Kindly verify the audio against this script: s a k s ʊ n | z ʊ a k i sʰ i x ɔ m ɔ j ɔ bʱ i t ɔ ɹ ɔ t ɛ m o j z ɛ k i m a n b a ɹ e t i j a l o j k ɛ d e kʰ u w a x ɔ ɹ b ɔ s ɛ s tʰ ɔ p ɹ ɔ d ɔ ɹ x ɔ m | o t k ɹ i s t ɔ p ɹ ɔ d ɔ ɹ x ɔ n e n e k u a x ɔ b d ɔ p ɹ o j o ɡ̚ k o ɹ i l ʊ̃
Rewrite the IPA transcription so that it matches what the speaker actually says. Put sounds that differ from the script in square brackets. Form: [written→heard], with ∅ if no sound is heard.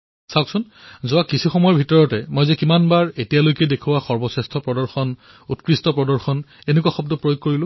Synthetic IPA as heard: s a k s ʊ n | z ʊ a k i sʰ i x ɔ m ɔ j ɔ bʱ i t ɔ ɹ ɔ t ɛ m o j z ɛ k i m a n b a ɹ e t i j a l o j k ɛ d e kʰ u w a x ɔ ɹ b ɔ s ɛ s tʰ ɔ p ɹ ɔ d ɔ ɹ x ɔ [m→n] | [o→u] t k ɹ i s t ɔ p ɹ ɔ d ɔ ɹ x ɔ n e n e k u a x ɔ b d ɔ p ɹ o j o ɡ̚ k o ɹ i l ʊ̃